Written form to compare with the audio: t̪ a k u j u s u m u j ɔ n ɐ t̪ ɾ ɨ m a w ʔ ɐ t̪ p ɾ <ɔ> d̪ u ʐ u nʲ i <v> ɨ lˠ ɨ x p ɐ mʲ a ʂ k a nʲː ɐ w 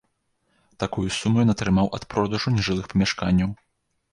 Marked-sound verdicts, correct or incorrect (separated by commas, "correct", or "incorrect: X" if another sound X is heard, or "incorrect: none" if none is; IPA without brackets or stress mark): correct, incorrect: ʐ